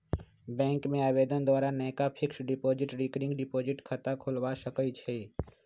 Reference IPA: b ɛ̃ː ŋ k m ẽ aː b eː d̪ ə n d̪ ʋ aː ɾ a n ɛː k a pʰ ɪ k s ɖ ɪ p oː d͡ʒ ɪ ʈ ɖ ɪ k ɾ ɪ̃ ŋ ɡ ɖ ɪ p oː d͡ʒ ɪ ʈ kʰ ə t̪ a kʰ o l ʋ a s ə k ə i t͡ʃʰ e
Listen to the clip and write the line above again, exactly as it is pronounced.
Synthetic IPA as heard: b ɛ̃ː ŋ k m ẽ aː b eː d̪ ə n d̪ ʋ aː ɾ a n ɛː k a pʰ ɪ k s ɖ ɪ p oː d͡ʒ ɪ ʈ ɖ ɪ k ɾ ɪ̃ ŋ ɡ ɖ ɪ p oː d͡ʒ ɪ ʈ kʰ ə t̪ a kʰ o l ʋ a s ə k ə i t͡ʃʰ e